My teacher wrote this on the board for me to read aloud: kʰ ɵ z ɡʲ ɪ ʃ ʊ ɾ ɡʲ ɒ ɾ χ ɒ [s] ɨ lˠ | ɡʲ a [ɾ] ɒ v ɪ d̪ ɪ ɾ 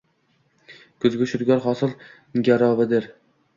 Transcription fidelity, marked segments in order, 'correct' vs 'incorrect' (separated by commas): correct, correct